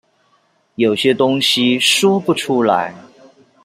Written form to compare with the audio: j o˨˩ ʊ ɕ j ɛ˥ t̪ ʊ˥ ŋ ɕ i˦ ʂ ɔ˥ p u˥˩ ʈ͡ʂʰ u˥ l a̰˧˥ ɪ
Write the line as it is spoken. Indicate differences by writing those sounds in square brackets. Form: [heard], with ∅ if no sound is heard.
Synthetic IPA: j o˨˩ ʊ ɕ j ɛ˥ t̪ ʊ˥ ŋ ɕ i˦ ʂ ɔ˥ p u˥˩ ʈ͡ʂʰ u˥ l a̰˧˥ ɪ

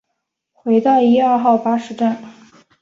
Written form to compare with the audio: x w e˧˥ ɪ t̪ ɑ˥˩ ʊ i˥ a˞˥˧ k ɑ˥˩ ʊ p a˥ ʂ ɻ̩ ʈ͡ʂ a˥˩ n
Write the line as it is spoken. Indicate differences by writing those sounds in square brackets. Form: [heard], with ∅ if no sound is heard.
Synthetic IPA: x w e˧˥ ɪ t̪ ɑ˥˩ ʊ i˥ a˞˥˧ [x] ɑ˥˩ ʊ p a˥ ʂ ɻ̩ ʈ͡ʂ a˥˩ n

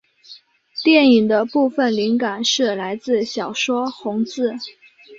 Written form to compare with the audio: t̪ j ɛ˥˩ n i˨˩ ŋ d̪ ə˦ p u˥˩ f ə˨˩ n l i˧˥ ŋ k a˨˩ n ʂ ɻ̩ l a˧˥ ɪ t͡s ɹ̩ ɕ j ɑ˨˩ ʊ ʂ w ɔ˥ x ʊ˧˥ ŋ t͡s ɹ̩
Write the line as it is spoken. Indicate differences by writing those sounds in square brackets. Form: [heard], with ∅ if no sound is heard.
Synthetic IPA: t̪ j ɛ˥˩ n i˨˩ ŋ d̪ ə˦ p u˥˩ f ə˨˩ n l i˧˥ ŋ k a˨˩ n ʂ ɻ̩ l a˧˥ ɪ t͡s ɹ̩ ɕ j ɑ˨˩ ʊ ʂ w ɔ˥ x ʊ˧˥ ŋ t͡s ɹ̩

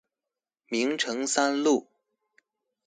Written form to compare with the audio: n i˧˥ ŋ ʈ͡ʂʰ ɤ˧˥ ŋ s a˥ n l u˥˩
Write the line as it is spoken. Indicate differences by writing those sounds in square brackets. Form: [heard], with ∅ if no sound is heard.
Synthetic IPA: [m] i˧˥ ŋ ʈ͡ʂʰ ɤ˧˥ ŋ s a˥ n l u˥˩

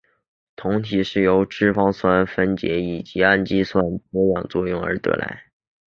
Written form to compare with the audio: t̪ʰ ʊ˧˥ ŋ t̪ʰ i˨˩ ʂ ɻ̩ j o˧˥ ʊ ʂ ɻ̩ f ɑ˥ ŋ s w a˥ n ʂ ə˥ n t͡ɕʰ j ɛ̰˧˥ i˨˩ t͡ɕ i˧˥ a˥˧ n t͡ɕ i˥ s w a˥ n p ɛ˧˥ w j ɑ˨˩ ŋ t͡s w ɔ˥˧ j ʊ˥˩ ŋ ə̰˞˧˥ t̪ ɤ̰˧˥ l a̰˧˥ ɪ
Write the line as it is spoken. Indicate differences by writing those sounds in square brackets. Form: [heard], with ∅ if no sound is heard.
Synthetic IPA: t̪ʰ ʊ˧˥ ŋ t̪ʰ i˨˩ ʂ ɻ̩ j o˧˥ ʊ [ʈ͡ʂ] ɻ̩ f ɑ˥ ŋ s w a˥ n [f] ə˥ n [t͡ɕ] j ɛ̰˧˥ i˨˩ t͡ɕ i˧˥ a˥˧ n t͡ɕ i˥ s w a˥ n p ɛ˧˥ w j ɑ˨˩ ŋ t͡s w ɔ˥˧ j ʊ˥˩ ŋ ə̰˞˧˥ t̪ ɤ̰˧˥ l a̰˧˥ ɪ

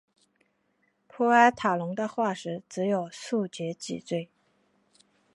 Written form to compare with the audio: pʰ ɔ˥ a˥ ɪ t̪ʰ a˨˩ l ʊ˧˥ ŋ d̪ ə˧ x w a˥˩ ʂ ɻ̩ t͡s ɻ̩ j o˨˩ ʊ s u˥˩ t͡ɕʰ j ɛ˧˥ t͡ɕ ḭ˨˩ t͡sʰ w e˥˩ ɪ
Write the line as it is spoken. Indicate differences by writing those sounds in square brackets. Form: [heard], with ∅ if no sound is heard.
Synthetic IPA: pʰ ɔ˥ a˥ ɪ t̪ʰ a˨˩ l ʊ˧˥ ŋ d̪ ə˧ x w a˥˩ ʂ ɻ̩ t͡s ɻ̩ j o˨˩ ʊ s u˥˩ [t͡ɕ] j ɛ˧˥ t͡ɕ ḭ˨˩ [t͡s] w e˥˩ ɪ

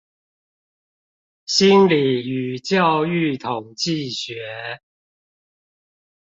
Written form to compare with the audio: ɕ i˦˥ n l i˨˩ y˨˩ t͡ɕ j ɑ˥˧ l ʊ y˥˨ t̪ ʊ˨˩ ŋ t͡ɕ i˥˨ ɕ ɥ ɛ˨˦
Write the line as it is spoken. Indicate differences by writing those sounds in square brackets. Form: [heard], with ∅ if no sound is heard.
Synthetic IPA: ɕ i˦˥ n l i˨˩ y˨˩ t͡ɕ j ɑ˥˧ [∅] ʊ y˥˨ [t̪ʰ] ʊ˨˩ ŋ t͡ɕ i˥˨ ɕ ɥ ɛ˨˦

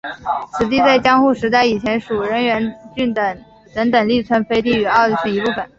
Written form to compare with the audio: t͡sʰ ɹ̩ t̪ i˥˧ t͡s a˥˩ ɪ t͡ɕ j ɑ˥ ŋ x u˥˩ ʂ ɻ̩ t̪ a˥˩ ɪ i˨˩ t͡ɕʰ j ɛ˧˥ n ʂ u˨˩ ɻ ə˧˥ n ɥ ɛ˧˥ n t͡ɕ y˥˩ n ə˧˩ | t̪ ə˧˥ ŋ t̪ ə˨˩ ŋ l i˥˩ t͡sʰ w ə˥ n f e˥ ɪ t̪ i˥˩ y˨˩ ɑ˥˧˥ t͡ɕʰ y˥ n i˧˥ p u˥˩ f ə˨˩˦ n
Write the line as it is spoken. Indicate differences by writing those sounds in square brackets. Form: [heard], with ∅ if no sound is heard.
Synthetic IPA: t͡sʰ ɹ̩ t̪ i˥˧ t͡s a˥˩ ɪ t͡ɕ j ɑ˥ ŋ x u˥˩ ʂ ɻ̩ t̪ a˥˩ ɪ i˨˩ t͡ɕʰ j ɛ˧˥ n ʂ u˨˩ ɻ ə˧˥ n ɥ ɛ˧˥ n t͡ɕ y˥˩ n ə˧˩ | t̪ ə˧˥ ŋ t̪ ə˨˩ ŋ l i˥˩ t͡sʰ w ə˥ n f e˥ ɪ t̪ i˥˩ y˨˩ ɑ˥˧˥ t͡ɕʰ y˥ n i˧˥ p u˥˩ f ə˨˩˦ n

